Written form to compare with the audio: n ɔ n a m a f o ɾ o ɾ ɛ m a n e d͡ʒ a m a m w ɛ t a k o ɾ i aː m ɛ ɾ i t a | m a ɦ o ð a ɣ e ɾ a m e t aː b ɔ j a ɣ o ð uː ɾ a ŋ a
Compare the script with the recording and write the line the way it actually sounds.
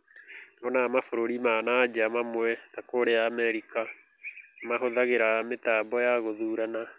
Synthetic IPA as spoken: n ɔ n a m a f o ɾ o ɾ i m a n a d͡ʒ a m a m w ɛ t a k o ɾ e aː m ɛ ɾ i k a | m a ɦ o ð a ɣ e ɾ a m e t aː b ɔ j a ɣ o ð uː ɾ a n a